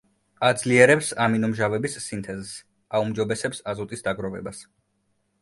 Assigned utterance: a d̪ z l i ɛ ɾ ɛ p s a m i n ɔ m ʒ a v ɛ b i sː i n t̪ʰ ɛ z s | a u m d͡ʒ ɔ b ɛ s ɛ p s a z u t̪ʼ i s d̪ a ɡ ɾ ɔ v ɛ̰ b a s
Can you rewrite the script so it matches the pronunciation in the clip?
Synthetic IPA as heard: a d̪ z l i ɛ ɾ ɛ p s a m i n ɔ m ʒ a v ɛ b i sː i n t̪ʰ ɛ z s | a u m d͡ʒ ɔ b ɛ s ɛ p s a z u t̪ʼ i s d̪ a ɡ ɾ ɔ v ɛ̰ b a s